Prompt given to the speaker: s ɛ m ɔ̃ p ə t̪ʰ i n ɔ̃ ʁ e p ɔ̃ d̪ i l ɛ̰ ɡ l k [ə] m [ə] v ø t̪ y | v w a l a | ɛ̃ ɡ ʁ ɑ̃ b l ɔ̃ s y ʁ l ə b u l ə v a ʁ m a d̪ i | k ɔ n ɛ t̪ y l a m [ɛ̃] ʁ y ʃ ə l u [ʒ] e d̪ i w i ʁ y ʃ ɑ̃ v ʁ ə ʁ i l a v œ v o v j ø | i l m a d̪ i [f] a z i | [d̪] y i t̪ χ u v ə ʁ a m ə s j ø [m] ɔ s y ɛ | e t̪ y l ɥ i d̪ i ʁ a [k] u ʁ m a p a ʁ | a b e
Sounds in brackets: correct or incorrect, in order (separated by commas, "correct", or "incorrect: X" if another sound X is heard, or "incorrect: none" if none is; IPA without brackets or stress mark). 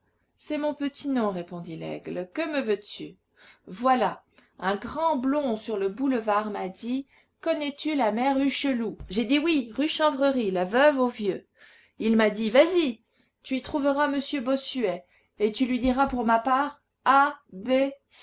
correct, correct, incorrect: ɛ, correct, incorrect: v, incorrect: t̪, incorrect: b, incorrect: p